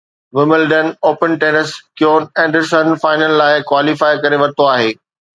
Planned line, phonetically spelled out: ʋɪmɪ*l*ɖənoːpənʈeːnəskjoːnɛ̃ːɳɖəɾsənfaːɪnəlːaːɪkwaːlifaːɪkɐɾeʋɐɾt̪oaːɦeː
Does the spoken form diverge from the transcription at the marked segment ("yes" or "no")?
no